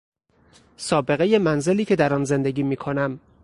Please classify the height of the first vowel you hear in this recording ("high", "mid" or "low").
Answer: low